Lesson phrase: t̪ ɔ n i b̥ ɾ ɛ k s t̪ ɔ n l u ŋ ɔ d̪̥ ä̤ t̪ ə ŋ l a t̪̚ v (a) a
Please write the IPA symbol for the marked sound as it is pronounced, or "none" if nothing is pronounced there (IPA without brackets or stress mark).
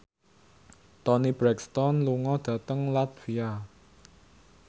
i